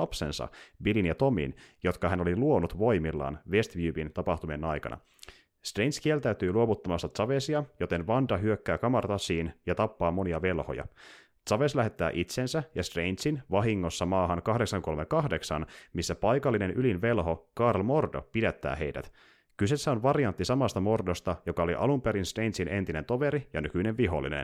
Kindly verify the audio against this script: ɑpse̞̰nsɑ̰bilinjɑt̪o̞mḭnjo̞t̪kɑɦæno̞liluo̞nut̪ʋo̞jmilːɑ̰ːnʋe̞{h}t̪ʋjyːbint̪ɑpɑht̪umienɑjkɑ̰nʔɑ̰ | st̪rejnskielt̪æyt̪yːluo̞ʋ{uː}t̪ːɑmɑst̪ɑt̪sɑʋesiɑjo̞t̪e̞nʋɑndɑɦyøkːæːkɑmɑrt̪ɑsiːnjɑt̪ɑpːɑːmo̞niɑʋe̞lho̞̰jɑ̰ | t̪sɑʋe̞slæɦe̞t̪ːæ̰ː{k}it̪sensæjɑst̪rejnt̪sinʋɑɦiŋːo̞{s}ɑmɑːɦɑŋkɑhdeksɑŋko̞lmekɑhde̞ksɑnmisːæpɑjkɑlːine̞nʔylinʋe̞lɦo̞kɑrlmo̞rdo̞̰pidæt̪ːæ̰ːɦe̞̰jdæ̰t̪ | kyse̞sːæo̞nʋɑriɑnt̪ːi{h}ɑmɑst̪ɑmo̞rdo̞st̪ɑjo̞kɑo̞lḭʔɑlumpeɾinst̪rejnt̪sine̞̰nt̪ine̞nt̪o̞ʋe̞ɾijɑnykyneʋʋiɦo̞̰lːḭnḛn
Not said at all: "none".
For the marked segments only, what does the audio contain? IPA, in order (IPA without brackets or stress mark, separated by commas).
s, u, ʔ, sː, s